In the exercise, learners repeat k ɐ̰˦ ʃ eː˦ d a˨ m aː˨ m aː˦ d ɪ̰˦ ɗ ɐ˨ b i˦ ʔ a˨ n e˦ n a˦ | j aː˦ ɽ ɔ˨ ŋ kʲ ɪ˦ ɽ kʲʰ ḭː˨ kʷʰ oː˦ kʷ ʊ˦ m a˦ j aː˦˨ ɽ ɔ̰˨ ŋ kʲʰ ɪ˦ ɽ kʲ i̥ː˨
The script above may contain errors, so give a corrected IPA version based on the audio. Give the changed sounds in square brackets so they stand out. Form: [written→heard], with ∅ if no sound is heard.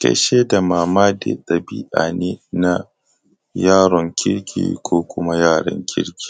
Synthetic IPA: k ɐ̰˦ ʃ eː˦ d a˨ m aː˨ m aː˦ d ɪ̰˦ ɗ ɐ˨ b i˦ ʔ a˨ n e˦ n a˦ | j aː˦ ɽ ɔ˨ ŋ kʲ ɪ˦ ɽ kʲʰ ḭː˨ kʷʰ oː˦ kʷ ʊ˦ m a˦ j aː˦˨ ɽ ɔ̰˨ ŋ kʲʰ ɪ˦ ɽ kʲ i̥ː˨